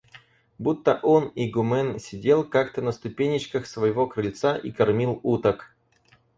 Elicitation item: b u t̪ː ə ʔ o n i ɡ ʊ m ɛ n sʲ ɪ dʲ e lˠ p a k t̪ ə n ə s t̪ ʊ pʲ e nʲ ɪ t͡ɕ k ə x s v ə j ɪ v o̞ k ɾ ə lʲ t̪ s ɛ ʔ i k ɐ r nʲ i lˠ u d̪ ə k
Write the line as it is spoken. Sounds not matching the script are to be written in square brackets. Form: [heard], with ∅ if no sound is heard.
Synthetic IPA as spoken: b u t̪ː ə ʔ o n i ɡ ʊ m ɛ n sʲ ɪ dʲ e lˠ [k] a k t̪ ə n ə s t̪ ʊ pʲ e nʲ ɪ t͡ɕ k ə x s v ə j ɪ v o̞ k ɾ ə lʲ t̪ s [a] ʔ i k ɐ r [mʲ] i lˠ u [t̪] ə k